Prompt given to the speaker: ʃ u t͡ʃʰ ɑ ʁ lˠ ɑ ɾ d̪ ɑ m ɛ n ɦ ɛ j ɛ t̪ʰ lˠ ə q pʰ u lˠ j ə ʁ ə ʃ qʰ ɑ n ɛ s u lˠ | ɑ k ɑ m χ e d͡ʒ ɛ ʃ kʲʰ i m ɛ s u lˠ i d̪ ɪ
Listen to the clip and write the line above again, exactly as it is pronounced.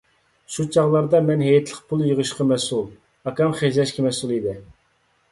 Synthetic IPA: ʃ u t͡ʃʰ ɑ ʁ lˠ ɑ ɾ d̪ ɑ m ɛ n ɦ ɛ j ɛ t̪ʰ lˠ ə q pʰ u lˠ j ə ʁ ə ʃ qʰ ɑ m ɛ s u lˠ | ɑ k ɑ m χ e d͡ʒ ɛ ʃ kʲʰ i m ɛ s u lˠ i d̪ ɪ